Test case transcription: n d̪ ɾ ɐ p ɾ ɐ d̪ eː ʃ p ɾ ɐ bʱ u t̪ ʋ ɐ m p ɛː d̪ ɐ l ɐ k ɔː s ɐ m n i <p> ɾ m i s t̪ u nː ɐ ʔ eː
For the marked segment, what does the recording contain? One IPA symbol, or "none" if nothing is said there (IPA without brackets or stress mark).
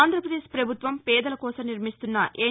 none